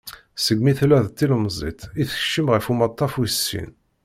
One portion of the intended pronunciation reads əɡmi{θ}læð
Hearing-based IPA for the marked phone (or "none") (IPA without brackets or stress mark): θ